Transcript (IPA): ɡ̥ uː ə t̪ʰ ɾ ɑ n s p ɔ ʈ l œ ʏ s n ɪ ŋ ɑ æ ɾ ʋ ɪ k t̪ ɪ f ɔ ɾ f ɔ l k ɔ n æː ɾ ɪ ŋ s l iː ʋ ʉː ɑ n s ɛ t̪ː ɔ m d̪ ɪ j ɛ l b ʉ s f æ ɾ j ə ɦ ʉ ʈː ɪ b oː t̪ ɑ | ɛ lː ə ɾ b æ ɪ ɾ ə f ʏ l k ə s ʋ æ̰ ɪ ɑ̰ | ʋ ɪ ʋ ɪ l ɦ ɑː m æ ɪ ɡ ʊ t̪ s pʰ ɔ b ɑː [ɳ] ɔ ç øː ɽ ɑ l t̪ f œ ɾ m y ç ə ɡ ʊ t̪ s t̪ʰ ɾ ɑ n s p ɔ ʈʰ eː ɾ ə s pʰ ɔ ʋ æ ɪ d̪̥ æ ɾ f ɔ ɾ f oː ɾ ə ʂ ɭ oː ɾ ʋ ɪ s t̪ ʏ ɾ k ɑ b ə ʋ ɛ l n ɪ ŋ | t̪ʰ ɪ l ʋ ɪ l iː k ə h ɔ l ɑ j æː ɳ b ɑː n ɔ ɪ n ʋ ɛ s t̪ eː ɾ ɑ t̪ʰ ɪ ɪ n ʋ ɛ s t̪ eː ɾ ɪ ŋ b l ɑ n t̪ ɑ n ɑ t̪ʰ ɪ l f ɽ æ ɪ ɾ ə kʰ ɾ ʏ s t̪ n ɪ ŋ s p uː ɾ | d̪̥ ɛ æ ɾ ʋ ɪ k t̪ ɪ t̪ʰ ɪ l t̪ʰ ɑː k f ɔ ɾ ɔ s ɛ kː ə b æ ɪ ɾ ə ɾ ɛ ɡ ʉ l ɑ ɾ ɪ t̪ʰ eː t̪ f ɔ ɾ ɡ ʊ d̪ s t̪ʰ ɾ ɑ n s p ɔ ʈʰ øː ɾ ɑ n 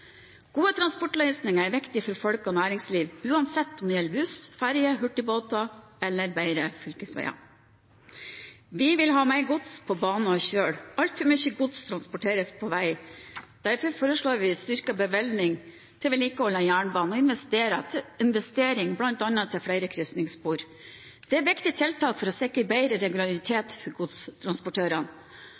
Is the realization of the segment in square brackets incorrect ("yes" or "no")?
yes